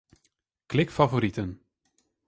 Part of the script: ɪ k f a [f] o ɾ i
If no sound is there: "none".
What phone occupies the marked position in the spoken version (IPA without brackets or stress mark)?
v